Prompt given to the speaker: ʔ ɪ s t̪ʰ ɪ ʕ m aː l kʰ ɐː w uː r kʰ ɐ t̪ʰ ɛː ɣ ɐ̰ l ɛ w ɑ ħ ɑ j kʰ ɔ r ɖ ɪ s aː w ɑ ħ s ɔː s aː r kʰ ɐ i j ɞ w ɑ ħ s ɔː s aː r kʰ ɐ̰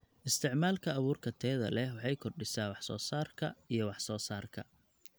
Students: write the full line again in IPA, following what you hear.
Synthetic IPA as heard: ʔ ɪ s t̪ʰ ɪ ʕ m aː l kʰ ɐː β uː r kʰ ɐ t̪ʰ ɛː ð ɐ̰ l ɛ w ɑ ħ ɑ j kʰ ɔ r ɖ ɪ s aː w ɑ ħ s ɔː s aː r kʰ ɐ i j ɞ w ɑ ħ s ɔː s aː r kʰ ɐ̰